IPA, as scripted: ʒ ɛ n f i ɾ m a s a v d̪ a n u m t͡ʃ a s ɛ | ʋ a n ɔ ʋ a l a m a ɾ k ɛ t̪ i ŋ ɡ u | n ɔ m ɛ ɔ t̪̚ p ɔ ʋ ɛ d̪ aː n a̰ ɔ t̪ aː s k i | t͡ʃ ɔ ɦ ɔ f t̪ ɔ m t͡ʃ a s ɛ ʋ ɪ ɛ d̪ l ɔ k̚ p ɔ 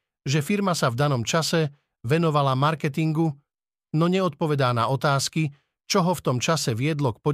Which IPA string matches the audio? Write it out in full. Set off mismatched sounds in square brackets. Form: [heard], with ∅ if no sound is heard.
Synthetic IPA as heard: ʒ ɛ [∅] f i ɾ m a s a v d̪ a n [ɔ] m t͡ʃ a s ɛ | ʋ [ɛ] n ɔ ʋ a l a m a ɾ k ɛ t̪ i ŋ ɡ u | n ɔ [ɲ] ɛ ɔ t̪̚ p ɔ ʋ ɛ d̪ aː n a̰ ɔ t̪ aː s k i | t͡ʃ ɔ ɦ ɔ f t̪ ɔ m t͡ʃ a s ɛ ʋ ɪ ɛ d̪ l ɔ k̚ p ɔ